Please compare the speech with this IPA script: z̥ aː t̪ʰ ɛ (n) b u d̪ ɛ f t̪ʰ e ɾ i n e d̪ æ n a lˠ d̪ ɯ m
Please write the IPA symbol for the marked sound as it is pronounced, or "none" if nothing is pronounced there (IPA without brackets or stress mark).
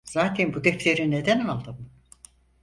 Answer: n